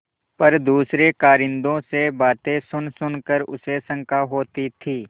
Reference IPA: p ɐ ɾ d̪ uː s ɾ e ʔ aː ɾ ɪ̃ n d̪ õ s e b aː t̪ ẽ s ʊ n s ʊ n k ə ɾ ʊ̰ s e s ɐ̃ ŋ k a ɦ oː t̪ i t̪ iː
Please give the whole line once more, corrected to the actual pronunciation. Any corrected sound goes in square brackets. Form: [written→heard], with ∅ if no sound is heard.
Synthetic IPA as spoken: p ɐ ɾ d̪ uː s ɾ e [ʔ→k] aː ɾ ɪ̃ n d̪ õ s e b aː t̪ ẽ s ʊ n s ʊ n k ə ɾ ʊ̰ s e s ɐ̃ ŋ k a ɦ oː t̪ i [t̪→t̪ʰ] iː